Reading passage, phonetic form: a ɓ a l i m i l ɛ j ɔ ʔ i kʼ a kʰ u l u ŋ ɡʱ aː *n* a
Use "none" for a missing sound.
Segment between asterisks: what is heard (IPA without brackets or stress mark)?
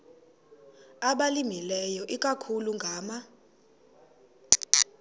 m